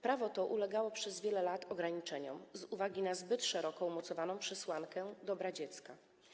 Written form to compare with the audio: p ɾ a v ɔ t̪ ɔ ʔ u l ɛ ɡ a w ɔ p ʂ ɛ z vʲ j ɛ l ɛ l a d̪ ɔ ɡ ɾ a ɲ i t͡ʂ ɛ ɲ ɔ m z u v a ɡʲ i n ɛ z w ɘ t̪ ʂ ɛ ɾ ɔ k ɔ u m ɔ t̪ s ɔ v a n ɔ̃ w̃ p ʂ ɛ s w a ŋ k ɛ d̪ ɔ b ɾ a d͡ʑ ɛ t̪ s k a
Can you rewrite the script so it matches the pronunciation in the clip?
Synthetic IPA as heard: p ɾ a v ɔ t̪ ɔ ʔ u l ɛ ɡ a w ɔ p ʂ ɛ z vʲ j ɛ l ɛ l a t̪ ɔ ɡ ɾ a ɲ i t͡ʂ ɛ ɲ ɔ m z u v a ɡʲ i n a z b ɘ t̪ ʂ ɛ ɾ ɔ k ɔ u m ɔ t̪ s ɔ v a n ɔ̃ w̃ p ʂ ɛ s w a ŋ k ɛ d̪ ɔ b ɾ a d͡ʑ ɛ t̪ s k a